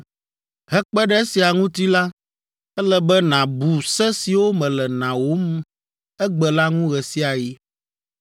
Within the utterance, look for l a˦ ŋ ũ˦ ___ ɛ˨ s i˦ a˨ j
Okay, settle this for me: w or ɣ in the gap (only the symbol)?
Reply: ɣ